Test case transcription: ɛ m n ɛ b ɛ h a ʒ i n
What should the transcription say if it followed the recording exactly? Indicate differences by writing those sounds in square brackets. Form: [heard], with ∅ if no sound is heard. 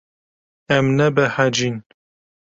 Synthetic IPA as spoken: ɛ m n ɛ b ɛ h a [d͡ʒ] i n

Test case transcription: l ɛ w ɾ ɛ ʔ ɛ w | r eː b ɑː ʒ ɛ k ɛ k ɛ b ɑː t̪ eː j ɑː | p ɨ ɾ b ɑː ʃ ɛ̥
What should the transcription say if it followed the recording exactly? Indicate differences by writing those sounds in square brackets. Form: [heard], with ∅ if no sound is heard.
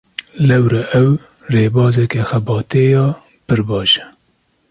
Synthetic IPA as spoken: l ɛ w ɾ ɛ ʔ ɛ w | r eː b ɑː [z] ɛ k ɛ [x] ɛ b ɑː t̪ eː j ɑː | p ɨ ɾ b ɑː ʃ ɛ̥

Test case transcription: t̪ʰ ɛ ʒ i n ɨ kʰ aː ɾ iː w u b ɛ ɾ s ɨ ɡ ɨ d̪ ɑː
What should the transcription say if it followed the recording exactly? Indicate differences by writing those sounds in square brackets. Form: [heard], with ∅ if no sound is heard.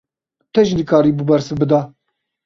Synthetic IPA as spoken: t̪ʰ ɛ ʒ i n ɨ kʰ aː ɾ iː [b] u b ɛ ɾ s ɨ [b] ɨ d̪ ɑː

